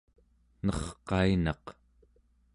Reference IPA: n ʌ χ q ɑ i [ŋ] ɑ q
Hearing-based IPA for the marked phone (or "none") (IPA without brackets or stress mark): n